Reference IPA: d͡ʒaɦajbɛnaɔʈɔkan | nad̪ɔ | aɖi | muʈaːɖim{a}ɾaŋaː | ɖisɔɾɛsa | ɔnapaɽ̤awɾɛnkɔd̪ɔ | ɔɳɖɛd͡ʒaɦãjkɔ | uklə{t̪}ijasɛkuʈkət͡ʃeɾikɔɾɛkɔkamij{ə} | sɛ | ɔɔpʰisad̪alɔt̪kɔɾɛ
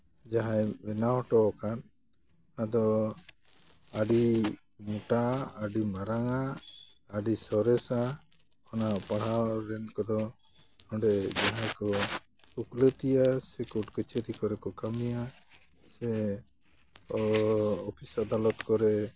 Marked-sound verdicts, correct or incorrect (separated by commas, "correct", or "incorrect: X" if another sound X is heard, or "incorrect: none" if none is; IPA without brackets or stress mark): correct, correct, incorrect: a